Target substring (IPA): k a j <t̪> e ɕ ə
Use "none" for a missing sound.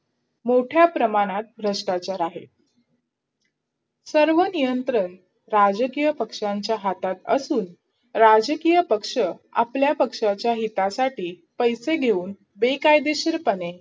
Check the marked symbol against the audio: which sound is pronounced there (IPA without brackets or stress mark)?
d̪